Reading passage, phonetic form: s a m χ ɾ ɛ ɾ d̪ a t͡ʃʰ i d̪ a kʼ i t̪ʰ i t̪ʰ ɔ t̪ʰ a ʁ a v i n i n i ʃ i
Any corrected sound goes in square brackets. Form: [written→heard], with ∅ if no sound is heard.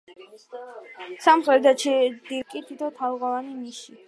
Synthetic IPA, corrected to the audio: s a m χ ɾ ɛ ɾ d̪ a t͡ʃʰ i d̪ [a→i] kʼ i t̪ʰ i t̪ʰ ɔ t̪ʰ a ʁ a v [i→a] n i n i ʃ i

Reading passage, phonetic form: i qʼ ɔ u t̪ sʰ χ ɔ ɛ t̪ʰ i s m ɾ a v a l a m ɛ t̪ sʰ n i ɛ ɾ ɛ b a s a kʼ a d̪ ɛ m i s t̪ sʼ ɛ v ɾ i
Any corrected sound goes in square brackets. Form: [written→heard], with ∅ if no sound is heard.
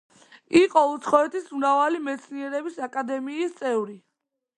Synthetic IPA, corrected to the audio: i qʼ ɔ u t̪ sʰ χ ɔ ɛ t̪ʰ i s m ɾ a v a l [a→i] m ɛ t̪ sʰ n i ɛ ɾ ɛ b [a→i] s a kʼ a d̪ ɛ m [i→iː] s t̪ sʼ ɛ v ɾ i

